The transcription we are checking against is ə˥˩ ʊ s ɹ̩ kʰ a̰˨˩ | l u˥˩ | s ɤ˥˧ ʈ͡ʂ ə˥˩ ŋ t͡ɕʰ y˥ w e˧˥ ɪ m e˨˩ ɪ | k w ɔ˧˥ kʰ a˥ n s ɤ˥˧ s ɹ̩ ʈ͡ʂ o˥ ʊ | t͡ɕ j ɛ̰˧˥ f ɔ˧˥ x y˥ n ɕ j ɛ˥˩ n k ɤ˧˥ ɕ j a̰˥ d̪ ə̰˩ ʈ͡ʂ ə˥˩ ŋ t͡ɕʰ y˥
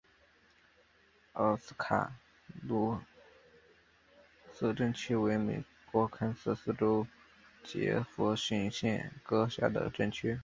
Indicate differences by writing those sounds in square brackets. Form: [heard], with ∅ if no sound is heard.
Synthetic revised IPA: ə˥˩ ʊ s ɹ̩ kʰ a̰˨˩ | l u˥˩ | s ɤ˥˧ ʈ͡ʂ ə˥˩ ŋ t͡ɕʰ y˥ w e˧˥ ɪ m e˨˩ ɪ | k w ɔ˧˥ kʰ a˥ n s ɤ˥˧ s ɹ̩ ʈ͡ʂ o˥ ʊ | t͡ɕ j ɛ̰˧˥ f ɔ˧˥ [ɕ] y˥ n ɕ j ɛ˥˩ n k [ɤ˥] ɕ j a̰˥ d̪ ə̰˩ ʈ͡ʂ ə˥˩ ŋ t͡ɕʰ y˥